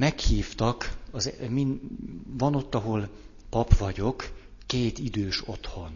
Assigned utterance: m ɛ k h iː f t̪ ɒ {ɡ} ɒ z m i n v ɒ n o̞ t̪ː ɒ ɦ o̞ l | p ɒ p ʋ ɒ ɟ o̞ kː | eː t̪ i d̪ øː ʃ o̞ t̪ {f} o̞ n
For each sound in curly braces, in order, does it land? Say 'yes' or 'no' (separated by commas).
no, no